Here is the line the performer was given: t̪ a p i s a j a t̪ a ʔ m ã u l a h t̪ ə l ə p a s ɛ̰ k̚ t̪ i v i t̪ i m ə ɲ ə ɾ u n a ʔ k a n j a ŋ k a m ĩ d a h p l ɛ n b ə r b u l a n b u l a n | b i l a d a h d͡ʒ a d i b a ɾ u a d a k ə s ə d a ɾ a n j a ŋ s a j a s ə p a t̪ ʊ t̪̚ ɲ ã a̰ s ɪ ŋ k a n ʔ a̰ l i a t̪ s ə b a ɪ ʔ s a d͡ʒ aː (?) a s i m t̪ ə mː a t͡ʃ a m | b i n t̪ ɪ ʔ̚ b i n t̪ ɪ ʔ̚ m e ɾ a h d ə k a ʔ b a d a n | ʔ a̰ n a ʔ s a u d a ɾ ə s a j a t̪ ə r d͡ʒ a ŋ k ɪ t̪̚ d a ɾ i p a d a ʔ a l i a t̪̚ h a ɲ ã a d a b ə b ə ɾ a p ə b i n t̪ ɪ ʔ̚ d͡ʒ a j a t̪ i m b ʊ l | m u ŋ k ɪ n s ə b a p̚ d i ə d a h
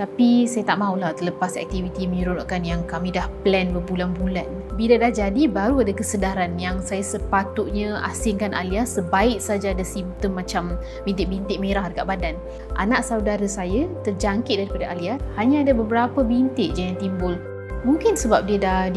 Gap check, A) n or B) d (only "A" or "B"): B